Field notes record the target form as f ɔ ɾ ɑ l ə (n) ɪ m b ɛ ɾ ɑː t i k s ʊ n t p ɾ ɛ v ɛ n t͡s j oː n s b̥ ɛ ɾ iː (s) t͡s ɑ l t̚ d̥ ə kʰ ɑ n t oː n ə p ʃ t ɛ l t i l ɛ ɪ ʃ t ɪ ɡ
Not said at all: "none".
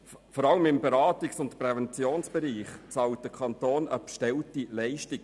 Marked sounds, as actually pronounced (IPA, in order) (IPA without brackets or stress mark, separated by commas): m, χ